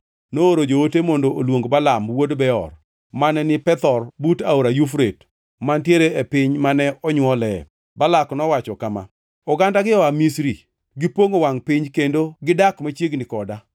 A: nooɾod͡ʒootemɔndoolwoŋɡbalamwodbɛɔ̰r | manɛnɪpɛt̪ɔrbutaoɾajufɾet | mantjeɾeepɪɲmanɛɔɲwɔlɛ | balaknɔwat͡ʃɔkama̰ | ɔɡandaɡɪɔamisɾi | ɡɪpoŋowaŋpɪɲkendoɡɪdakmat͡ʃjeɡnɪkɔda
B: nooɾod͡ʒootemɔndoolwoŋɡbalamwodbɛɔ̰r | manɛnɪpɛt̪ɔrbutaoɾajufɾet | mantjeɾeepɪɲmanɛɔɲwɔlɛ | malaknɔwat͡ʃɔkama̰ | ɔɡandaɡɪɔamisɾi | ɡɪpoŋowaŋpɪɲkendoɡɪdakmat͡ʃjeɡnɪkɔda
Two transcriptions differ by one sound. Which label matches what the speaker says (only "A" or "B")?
A